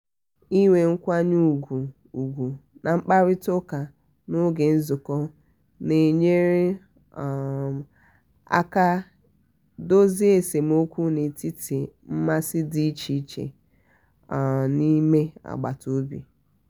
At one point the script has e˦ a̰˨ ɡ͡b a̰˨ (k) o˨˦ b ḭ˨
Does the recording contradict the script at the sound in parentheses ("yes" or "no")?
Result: yes